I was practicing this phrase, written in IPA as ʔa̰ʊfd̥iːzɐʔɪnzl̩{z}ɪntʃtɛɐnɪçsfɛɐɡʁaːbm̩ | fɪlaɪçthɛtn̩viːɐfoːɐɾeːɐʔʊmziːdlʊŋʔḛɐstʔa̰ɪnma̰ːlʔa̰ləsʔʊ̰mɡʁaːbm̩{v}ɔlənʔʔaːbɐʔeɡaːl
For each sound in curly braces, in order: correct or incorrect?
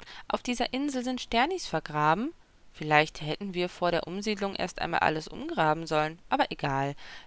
correct, incorrect: z

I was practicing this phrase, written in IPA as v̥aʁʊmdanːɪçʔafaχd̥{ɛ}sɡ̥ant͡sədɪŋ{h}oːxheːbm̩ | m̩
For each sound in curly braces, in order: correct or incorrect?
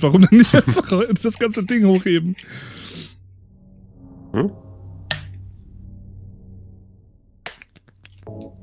incorrect: a, correct

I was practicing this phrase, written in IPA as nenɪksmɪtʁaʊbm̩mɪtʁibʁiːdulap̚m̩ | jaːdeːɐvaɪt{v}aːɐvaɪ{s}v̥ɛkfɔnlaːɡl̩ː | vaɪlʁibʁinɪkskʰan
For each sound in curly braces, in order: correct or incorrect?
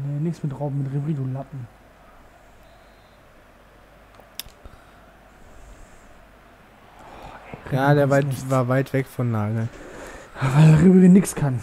correct, incorrect: t

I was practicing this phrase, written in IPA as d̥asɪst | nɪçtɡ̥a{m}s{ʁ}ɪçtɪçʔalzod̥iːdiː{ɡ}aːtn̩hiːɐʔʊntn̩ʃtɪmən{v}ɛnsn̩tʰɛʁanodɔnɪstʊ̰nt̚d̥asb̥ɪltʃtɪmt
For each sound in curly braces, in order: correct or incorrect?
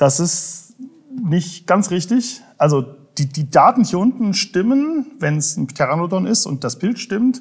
incorrect: n, correct, incorrect: d, correct

